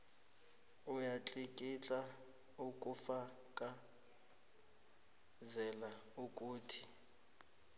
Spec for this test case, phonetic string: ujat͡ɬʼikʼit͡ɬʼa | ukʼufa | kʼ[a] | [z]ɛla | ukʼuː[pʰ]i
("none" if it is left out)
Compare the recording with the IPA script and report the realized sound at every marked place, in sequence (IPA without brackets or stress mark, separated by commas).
a, z, tʰ